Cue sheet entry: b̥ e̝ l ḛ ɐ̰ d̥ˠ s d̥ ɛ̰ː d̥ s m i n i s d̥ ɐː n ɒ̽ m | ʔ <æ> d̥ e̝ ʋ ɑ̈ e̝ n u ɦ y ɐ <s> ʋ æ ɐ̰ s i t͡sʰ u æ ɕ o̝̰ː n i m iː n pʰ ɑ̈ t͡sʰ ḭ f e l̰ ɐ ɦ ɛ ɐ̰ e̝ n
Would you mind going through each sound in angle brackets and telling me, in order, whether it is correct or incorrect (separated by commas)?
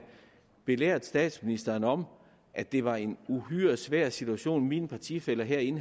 correct, correct